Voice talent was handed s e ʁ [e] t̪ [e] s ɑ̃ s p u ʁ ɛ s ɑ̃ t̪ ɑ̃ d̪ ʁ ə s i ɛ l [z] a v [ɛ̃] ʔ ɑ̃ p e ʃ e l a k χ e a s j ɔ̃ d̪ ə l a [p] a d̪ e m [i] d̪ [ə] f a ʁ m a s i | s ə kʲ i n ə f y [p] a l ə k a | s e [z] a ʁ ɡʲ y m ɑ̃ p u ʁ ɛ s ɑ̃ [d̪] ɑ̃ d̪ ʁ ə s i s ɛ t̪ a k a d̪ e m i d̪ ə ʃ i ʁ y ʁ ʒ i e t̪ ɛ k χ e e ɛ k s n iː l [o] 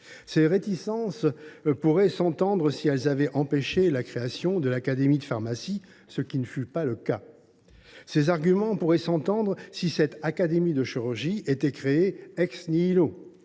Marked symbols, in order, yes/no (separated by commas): yes, no, yes, no, no, yes, yes, yes, yes, no, yes